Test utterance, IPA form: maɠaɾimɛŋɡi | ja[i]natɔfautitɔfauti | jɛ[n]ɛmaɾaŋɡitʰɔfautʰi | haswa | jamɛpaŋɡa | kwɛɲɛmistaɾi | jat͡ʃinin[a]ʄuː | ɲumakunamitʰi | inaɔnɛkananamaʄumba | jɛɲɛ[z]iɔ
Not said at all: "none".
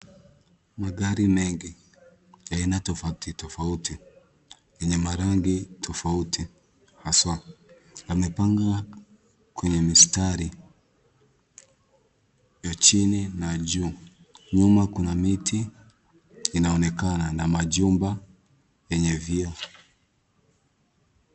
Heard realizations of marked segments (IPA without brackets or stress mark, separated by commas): i, ɲ, a, v